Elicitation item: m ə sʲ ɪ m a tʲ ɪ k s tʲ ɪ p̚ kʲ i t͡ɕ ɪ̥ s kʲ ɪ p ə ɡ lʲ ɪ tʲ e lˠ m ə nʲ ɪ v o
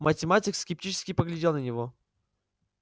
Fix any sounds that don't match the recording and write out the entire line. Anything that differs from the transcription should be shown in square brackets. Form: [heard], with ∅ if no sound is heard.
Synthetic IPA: m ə [tʲ] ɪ m a tʲ ɪ k s [kʲ] ɪ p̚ [tʲ] i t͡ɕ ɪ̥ s kʲ ɪ p ə ɡ lʲ ɪ [dʲ] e lˠ [n] ə nʲ ɪ v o

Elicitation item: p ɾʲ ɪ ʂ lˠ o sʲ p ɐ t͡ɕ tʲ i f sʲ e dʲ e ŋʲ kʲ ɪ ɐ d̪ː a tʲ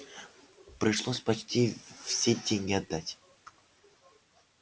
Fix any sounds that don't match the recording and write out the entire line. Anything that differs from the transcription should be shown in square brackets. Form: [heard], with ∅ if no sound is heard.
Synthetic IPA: p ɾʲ ɪ ʂ lˠ o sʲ p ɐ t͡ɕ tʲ i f sʲ e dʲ e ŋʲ [ɡʲ] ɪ ɐ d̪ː a tʲ

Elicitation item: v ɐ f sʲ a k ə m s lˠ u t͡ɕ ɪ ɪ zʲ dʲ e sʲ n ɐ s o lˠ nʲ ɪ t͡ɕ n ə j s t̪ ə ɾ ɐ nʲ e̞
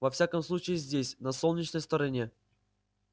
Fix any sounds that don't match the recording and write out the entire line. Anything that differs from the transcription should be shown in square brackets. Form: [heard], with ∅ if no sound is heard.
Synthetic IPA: v ɐ f sʲ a k ə m s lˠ u t͡ɕ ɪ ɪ zʲ dʲ e sʲ n ɐ s o lˠ nʲ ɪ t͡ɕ n ə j s t̪ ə ɾ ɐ nʲ e̞

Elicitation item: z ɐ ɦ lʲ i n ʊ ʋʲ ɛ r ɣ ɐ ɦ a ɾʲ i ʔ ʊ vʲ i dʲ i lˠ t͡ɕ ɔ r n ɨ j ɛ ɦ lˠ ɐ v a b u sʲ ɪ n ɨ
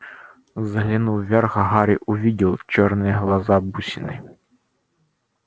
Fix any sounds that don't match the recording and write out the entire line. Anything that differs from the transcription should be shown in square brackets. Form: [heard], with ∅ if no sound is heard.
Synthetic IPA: z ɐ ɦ lʲ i n [u] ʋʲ ɛ r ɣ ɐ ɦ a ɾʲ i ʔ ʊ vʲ i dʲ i lˠ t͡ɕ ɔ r n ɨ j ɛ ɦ lˠ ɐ [z] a b u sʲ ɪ n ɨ

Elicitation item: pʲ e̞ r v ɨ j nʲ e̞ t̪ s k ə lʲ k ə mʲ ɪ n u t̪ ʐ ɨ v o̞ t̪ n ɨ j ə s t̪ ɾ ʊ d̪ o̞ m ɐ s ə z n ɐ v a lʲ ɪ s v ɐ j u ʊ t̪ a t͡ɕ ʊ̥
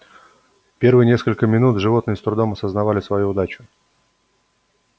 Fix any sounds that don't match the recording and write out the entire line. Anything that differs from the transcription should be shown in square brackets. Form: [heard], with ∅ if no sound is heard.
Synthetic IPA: pʲ e̞ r v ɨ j nʲ e̞ [∅] s k ə lʲ k ə mʲ ɪ n u t̪ ʐ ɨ v o̞ t̪ n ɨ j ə s t̪ ɾ ʊ d̪ o̞ m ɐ s ə z n ɐ v a lʲ ɪ s v ɐ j u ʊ [d̪] a t͡ɕ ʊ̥

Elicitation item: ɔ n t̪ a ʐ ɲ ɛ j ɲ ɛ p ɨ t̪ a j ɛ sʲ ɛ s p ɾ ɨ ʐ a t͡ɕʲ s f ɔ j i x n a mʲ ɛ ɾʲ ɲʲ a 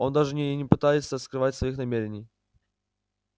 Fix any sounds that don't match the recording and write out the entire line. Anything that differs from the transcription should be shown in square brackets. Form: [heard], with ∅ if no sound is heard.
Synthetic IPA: ɔ n [d̪] a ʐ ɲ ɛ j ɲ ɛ p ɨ t̪ a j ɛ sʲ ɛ s [k] ɾ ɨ [v] a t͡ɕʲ s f ɔ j i x n a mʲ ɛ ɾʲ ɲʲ [i]

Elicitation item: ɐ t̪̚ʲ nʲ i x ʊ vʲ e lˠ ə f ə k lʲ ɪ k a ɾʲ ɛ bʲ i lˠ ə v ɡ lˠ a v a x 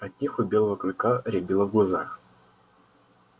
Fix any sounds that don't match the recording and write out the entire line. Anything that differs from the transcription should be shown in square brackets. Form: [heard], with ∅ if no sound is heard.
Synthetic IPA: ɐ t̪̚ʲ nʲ i x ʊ [bʲ] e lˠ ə [v] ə k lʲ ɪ k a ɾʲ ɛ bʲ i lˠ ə v ɡ lˠ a [z] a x

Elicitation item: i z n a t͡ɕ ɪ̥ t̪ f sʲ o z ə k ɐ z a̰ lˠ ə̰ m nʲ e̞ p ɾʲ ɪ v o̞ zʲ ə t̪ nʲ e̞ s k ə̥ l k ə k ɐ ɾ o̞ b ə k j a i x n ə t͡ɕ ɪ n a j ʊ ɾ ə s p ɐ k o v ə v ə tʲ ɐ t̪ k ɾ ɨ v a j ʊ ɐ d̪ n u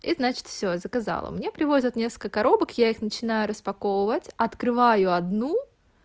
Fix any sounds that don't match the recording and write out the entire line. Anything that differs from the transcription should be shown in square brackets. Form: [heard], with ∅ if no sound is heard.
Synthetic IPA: i z n a t͡ɕ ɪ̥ t̪ f sʲ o z ə k ɐ z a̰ lˠ ə̰ m nʲ e̞ p ɾʲ ɪ v o̞ zʲ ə t̪ nʲ e̞ s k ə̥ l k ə k ɐ ɾ o̞ b ə k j a i x n ə t͡ɕ ɪ n a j ʊ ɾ ə s p ɐ k o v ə v ə tʲ ɐ t̪ k ɾ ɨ v a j ʊ ɐ d̪ n u

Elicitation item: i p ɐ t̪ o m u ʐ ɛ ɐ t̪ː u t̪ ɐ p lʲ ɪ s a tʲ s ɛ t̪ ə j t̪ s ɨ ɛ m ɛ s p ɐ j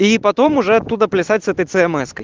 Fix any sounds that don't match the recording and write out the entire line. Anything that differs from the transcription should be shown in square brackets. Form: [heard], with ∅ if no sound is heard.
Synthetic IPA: i p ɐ t̪ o m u ʐ ɛ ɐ t̪ː u [d̪] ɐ p lʲ ɪ s a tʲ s ɛ t̪ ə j t̪ s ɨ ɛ m ɛ s [k] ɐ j

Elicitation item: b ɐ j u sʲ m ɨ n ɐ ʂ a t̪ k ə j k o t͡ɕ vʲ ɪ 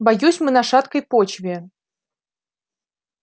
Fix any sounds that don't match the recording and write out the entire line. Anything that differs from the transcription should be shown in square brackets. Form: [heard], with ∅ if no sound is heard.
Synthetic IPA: b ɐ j u sʲ m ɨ n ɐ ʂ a t̪ k ə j [p] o t͡ɕ vʲ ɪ

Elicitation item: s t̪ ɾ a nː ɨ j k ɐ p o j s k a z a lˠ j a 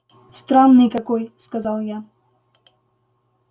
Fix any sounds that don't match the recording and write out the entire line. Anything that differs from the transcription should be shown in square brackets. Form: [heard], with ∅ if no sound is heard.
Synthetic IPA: s t̪ ɾ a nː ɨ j k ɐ [k] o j s k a z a lˠ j a

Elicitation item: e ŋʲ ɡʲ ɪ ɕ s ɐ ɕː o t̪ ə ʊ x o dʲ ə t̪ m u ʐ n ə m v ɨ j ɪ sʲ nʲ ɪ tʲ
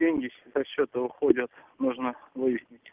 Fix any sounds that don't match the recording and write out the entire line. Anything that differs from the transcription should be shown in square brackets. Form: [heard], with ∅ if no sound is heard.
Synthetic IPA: e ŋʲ ɡʲ ɪ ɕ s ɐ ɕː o t̪ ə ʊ x o dʲ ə t̪ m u ʐ n ə [∅] v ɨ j ɪ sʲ nʲ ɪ tʲ

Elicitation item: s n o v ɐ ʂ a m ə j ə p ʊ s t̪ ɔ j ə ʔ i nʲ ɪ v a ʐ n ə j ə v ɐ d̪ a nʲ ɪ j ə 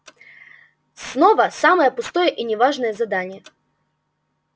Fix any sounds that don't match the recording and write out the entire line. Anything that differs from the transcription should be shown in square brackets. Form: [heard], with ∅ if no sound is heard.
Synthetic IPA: s n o v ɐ [s] a m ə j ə p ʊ s t̪ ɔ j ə ʔ i nʲ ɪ v a ʐ n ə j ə [z] ɐ d̪ a nʲ ɪ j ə

